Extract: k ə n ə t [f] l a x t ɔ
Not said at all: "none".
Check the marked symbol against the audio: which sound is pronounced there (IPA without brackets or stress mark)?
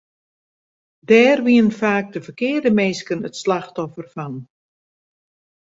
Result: s